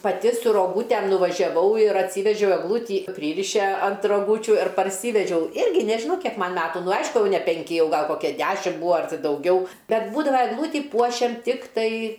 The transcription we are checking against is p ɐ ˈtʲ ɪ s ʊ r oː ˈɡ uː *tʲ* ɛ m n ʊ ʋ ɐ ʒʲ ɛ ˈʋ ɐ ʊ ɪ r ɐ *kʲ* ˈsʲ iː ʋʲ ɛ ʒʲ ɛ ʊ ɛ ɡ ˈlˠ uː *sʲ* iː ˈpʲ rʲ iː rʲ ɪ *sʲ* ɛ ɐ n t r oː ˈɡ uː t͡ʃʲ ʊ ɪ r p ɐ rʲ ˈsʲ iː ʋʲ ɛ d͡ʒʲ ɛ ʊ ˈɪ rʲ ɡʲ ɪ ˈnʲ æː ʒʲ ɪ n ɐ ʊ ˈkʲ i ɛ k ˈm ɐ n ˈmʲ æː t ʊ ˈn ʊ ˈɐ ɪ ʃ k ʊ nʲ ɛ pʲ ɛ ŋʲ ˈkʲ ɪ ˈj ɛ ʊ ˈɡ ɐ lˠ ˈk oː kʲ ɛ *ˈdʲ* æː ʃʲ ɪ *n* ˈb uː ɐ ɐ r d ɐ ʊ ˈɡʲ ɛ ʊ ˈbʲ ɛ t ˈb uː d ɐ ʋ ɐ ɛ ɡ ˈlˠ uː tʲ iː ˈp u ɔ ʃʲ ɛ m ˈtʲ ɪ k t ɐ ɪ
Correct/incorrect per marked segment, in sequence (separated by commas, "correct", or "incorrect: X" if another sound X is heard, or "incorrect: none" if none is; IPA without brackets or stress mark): correct, incorrect: tʲ, incorrect: tʲ, incorrect: ʃʲ, correct, incorrect: m